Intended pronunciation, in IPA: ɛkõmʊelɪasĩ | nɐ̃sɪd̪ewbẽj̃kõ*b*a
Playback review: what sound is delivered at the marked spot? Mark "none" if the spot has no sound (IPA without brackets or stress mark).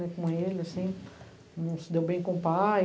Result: p